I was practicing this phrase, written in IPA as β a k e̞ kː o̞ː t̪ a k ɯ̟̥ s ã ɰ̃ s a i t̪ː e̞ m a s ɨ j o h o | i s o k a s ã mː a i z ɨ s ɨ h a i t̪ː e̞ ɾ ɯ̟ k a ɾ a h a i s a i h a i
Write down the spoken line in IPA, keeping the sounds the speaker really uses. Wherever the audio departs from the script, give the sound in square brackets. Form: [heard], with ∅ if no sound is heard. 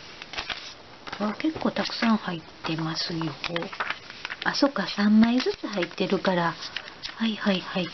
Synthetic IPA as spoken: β a k e̞ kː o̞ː t̪ a k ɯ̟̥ s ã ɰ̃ [h] a i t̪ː e̞ m a s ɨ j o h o | [a] s o k a s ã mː a i z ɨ [t͡s] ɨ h a i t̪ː e̞ ɾ ɯ̟ k a ɾ a h a i [h] a i h a i